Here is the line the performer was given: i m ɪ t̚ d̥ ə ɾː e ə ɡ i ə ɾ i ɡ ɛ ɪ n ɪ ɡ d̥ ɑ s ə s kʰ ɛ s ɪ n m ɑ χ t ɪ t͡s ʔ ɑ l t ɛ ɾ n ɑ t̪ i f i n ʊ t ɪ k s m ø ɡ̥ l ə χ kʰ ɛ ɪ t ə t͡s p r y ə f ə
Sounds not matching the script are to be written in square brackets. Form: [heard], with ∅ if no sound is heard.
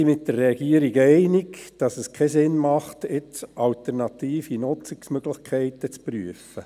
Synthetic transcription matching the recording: i m ɪ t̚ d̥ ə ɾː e [ɑ] ɡ i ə ɾ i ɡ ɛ ɪ n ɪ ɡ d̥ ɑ s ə s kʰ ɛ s ɪ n m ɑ χ t ɪ t͡s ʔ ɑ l t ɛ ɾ n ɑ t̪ [iː] f i n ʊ [t͡s] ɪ k s m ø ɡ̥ l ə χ kʰ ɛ ɪ t ə t͡s p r y ə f ə